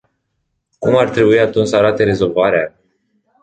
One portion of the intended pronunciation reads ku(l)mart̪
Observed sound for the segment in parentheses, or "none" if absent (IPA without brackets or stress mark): none